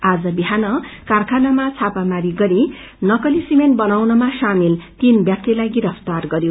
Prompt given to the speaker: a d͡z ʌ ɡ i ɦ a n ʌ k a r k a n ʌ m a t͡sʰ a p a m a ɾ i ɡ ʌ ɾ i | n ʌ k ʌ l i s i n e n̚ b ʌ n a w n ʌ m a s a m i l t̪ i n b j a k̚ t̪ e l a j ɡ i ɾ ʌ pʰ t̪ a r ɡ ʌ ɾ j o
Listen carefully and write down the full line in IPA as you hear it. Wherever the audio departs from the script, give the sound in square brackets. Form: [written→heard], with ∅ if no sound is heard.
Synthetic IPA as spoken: a d͡z ʌ [ɡ→b] i ɦ a n ʌ k a r [k→kʰ] a n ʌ m a t͡sʰ a p a m a ɾ i ɡ ʌ ɾ i | n ʌ k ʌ l i s i [n→m] e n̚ b ʌ n a w n ʌ m a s a m i l t̪ i n b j a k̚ t̪ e l a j ɡ i ɾ ʌ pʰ t̪ a r ɡ ʌ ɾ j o